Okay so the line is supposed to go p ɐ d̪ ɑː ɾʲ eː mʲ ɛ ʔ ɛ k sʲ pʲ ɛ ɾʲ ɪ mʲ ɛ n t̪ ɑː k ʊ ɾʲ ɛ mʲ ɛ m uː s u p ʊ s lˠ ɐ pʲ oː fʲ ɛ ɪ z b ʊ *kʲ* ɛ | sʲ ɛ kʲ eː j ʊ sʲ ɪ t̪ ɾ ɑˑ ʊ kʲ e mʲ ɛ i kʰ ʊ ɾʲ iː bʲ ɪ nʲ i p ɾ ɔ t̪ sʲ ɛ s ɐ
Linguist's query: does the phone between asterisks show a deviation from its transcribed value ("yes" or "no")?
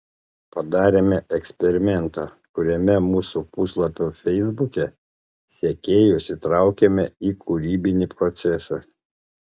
no